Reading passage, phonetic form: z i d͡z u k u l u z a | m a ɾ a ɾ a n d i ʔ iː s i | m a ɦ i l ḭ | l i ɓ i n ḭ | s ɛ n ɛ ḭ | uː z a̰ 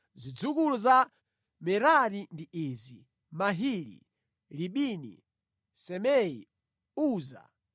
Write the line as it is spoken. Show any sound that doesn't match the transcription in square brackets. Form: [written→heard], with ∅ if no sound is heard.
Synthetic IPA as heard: z i d͡z u k u l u z a | m [a→ɛ] ɾ a ɾ [a→i] n d i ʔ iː [s→z] i | m a ɦ i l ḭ | l i ɓ i n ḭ | s ɛ [n→m] ɛ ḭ | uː z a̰